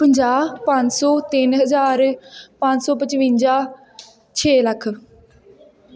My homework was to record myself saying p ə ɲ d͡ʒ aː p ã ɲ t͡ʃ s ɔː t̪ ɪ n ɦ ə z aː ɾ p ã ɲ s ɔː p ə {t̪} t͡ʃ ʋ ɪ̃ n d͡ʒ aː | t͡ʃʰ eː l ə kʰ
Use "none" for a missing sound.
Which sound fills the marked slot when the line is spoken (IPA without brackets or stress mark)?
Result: none